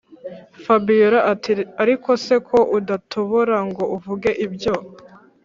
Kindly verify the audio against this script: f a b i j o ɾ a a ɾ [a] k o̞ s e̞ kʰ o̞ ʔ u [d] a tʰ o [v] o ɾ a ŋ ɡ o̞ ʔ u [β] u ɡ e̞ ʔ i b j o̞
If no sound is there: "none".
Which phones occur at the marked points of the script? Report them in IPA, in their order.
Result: i, d, β, v

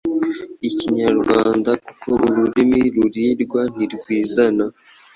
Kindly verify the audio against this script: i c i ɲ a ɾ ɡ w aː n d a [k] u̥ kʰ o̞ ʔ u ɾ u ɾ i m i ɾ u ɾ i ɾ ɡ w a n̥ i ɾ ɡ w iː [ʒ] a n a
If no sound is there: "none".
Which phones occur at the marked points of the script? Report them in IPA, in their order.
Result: k, z

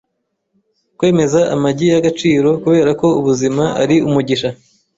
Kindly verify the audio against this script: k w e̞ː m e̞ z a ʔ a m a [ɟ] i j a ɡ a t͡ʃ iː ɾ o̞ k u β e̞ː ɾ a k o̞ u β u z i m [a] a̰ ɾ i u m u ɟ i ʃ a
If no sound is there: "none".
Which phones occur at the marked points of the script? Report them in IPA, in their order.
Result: ɟ, a

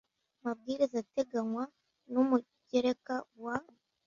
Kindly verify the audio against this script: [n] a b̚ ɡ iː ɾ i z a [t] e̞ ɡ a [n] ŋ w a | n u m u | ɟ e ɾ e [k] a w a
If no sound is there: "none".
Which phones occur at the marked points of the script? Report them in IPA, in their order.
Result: m, t, none, k

